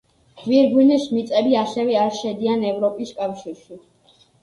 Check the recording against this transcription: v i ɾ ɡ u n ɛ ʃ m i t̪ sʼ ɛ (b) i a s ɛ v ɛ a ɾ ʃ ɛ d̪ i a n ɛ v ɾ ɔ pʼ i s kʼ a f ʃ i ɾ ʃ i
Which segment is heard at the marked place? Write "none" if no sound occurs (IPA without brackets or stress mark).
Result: b